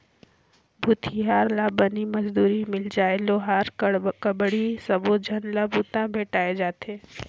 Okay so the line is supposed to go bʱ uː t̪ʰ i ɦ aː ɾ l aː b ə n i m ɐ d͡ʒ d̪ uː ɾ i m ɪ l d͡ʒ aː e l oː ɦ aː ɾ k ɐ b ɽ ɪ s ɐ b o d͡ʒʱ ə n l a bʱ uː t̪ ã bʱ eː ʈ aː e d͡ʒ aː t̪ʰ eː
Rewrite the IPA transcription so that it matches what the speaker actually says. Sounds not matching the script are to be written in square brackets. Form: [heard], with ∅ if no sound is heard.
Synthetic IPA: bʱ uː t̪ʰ i ɦ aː ɾ l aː b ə n i m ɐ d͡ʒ d̪ uː ɾ i m ɪ l d͡ʒ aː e l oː ɦ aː ɾ k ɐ b ɽ [i] s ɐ b o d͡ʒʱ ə n l a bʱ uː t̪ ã bʱ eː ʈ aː e d͡ʒ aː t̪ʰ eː